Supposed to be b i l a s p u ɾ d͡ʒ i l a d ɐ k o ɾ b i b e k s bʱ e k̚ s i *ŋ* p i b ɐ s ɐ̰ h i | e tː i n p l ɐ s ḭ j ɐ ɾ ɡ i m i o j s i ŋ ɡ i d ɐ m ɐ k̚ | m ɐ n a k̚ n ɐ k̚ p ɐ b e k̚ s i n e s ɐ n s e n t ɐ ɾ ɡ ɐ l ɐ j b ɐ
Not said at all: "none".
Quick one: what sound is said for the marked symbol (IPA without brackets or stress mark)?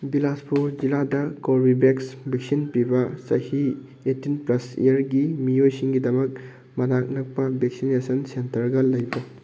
n